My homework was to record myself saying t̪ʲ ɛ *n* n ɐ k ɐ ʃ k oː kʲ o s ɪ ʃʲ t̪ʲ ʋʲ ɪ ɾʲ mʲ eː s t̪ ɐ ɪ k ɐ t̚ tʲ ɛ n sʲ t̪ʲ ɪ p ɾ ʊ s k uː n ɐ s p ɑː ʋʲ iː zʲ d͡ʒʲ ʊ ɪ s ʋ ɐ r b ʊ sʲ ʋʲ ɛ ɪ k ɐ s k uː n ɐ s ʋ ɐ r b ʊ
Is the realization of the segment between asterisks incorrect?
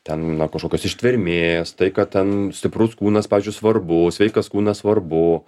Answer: no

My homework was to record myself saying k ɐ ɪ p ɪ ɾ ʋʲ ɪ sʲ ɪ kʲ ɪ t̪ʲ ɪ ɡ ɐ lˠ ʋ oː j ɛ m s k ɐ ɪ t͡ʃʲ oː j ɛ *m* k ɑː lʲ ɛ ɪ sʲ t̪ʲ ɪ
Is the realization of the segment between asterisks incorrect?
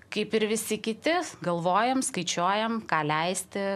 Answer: no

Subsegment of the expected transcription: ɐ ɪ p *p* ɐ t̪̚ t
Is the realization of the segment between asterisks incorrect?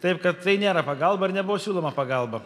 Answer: yes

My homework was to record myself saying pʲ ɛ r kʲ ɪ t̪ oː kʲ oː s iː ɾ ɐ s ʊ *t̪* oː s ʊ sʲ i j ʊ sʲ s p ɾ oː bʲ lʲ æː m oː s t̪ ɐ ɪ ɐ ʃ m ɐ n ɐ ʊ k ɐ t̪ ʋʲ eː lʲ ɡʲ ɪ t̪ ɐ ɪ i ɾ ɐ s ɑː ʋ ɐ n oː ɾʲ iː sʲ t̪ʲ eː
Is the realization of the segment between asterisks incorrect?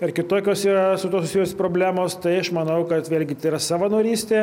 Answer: no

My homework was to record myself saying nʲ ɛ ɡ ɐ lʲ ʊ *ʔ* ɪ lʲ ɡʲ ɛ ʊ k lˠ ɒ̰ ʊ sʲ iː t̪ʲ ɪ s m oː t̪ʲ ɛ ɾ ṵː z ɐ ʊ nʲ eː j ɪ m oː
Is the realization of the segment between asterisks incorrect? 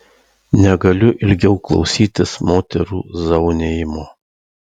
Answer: no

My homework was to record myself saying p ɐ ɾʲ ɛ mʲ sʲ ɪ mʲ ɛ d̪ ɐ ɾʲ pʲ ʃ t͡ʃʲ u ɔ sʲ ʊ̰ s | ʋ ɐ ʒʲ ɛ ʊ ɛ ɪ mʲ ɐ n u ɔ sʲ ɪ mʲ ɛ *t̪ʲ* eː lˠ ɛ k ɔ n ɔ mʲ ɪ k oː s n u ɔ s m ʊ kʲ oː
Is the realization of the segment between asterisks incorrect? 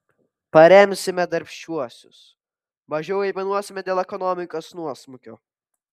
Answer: yes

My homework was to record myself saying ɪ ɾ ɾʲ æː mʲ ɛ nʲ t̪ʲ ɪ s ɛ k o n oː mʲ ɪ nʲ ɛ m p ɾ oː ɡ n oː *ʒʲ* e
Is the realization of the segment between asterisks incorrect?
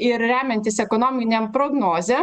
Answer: yes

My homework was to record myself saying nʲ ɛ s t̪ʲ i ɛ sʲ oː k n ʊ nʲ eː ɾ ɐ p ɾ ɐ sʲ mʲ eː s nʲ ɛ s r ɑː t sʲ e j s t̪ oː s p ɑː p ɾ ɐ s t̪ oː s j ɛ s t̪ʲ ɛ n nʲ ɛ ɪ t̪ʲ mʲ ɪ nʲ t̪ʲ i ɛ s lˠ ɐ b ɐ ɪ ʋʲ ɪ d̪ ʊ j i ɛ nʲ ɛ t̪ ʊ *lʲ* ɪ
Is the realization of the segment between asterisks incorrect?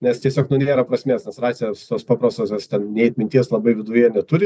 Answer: yes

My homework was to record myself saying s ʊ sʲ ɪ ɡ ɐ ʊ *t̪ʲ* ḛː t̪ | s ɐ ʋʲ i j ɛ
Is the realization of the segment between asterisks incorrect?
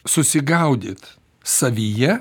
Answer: yes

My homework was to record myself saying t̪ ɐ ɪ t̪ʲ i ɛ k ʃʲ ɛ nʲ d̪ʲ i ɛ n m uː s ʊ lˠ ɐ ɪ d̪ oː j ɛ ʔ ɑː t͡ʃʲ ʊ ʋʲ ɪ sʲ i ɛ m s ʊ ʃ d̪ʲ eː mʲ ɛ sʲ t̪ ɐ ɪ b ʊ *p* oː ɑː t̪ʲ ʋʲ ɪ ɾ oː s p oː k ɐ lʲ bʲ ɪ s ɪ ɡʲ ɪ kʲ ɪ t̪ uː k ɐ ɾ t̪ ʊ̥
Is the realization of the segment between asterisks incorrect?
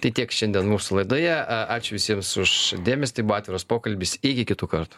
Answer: yes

